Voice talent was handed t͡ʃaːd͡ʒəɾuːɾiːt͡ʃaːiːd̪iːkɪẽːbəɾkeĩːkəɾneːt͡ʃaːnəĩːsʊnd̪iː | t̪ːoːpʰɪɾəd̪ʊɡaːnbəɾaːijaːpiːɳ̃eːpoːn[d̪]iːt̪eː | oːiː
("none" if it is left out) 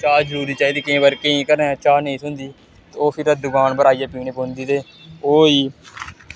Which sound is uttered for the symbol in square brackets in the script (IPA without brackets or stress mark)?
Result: d̪